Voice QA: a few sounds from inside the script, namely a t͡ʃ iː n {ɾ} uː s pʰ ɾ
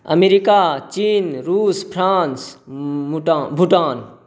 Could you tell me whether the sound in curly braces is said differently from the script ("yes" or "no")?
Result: no